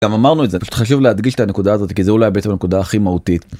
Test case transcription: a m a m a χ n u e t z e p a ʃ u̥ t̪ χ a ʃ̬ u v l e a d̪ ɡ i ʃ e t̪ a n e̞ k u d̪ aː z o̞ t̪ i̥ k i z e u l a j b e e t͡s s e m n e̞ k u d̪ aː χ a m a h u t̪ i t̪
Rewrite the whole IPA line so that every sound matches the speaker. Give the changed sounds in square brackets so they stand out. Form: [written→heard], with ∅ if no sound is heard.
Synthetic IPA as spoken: a m a m a [χ→ʁ] n u e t z e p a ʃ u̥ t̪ χ a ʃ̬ u v l e a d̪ ɡ i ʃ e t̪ a n e̞ k u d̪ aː z o̞ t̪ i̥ k i z e u l a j b e e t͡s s e m n e̞ k u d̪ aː χ [a→i] m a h u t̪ i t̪